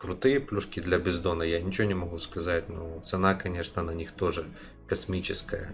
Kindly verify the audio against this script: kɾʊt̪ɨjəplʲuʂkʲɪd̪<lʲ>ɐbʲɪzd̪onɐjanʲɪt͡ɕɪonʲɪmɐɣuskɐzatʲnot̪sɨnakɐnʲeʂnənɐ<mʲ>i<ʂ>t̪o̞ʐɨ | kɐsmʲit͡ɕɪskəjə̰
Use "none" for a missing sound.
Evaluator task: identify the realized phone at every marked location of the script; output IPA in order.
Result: lʲ, nʲ, x

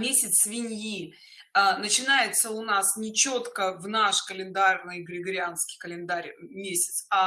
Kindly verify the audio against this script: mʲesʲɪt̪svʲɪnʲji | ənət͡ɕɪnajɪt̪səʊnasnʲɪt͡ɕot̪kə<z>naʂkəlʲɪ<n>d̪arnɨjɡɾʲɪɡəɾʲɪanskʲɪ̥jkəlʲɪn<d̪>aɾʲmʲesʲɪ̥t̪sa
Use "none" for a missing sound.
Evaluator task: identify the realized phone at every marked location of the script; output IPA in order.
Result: v, n, d̪

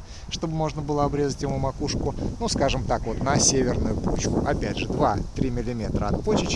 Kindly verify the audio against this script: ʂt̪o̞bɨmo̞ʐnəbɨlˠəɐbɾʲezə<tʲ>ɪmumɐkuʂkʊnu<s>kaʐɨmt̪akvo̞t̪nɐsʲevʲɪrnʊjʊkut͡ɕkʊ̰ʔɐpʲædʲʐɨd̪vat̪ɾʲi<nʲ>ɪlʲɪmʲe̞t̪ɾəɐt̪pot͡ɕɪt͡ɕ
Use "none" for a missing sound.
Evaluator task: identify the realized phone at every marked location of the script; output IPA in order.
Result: tʲ, s, mʲ

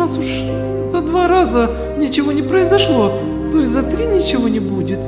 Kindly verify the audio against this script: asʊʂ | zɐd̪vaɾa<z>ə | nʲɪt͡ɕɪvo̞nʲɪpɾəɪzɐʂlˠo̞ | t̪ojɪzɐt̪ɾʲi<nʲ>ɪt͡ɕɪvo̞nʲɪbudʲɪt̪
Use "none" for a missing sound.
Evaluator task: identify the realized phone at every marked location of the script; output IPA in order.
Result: z, nʲ

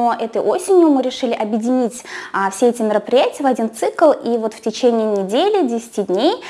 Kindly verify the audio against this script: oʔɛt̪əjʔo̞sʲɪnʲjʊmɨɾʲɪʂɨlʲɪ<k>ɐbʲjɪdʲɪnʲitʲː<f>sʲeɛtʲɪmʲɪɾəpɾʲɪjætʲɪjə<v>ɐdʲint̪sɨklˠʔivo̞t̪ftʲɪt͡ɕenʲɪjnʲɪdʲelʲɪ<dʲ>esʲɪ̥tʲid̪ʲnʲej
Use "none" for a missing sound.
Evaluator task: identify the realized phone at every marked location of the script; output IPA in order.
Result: ʔ, f, v, dʲ

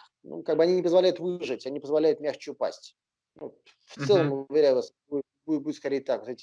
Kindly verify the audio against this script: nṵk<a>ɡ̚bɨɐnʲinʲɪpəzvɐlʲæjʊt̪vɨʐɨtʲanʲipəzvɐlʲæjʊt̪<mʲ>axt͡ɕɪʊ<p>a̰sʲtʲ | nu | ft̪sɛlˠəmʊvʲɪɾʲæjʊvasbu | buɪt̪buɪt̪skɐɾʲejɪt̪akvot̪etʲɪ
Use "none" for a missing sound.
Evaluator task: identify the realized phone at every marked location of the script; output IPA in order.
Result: a, mʲ, p

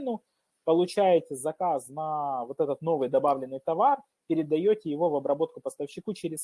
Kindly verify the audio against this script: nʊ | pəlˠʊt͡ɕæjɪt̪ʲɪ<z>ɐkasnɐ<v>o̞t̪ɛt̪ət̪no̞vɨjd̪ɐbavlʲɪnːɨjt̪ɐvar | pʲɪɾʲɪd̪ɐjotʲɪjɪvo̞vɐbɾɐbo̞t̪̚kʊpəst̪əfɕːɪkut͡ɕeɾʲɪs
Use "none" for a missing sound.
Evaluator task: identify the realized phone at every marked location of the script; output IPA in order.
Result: z, v

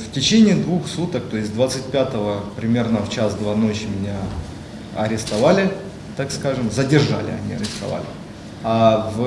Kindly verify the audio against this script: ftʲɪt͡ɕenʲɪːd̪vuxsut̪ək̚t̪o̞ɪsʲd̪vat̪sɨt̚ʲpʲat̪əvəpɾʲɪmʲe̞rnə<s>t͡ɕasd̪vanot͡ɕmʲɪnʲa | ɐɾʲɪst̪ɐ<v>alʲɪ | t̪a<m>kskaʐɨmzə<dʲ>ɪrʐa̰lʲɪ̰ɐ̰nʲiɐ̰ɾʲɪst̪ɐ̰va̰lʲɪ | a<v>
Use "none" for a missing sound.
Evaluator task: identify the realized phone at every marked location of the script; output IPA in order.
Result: f, v, none, dʲ, v

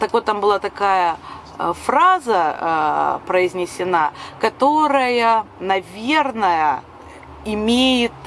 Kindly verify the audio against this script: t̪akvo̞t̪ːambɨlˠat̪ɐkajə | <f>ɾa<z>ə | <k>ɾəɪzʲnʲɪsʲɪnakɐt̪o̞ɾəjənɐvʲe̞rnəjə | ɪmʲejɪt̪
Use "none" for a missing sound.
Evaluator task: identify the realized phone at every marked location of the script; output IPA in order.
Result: f, z, p

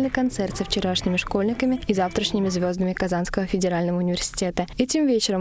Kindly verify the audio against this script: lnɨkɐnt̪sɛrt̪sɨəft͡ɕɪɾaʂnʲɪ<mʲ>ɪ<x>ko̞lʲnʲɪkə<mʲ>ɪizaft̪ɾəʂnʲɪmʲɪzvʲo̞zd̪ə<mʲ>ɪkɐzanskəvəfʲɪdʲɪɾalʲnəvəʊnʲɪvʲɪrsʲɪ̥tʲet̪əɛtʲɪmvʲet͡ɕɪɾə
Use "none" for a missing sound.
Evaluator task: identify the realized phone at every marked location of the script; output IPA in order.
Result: mʲ, ʂ, mʲ, mʲ

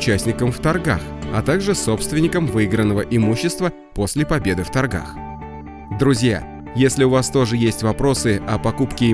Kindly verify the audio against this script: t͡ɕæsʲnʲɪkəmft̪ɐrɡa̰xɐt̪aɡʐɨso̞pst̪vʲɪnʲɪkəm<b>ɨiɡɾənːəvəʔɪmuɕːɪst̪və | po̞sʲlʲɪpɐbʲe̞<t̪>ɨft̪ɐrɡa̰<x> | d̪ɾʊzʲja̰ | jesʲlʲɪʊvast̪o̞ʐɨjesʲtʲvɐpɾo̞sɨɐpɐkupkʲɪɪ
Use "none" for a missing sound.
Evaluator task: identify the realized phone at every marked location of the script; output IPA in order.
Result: v, d̪, x

